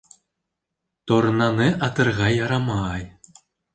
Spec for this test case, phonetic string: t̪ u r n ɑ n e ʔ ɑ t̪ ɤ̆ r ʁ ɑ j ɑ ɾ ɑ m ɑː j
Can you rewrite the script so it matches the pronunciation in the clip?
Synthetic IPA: t̪ o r n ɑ n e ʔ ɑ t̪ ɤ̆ r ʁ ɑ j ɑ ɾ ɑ m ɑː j

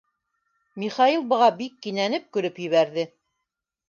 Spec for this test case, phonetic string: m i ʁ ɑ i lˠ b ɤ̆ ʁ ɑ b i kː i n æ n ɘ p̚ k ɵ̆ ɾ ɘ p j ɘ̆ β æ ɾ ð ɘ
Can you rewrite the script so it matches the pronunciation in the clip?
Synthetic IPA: m i χ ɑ i lˠ b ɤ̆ ʁ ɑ b i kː i n æ n ɘ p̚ k ɵ̆ ɾ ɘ p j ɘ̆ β æ ɾ ð ɘ

